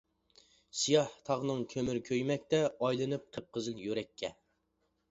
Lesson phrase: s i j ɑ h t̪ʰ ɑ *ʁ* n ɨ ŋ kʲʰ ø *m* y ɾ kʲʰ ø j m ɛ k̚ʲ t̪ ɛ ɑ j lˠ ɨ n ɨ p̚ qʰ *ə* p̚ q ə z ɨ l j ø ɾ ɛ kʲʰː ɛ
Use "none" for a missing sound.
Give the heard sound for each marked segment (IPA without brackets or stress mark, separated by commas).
ʁ, m, ə